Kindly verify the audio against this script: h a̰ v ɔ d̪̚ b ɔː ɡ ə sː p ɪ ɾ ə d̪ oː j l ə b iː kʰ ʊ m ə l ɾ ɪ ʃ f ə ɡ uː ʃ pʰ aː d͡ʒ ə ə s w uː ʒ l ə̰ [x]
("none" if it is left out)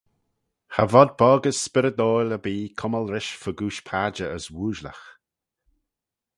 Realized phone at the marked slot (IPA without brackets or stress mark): x